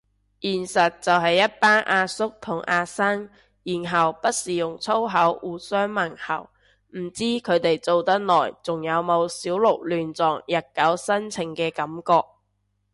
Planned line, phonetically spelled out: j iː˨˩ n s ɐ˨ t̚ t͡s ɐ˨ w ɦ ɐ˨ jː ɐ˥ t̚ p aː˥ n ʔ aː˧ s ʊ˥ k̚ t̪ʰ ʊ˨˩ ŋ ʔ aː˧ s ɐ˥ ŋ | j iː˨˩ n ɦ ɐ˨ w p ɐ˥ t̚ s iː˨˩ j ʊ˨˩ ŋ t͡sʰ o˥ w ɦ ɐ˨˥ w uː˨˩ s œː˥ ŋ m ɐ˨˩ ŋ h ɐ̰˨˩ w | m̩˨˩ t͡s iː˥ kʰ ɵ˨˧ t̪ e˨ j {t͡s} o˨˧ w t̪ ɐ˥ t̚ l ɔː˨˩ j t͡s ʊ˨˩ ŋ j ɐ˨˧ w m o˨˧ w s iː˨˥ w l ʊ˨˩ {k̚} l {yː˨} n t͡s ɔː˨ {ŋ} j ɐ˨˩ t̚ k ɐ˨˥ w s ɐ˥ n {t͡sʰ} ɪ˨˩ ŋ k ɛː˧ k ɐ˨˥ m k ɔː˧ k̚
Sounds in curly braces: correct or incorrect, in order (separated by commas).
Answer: correct, correct, correct, correct, correct